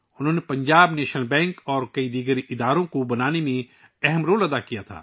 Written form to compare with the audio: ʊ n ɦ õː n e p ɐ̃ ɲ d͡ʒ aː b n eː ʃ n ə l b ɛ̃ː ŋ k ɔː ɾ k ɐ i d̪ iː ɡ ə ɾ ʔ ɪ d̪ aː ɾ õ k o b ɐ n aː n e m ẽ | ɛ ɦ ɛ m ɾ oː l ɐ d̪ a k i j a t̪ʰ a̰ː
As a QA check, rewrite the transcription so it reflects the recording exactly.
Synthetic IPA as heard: ʊ n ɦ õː n e p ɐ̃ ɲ d͡ʒ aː b n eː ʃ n ə l b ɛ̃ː ŋ k ɔː ɾ k ɐ i d̪ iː ɡ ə ɾ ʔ ɪ d̪ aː ɾ õ k o b ɐ n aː n e m ẽ | ɛ ɦ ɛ m ɾ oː l ɐ d̪ a k i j a t̪ʰ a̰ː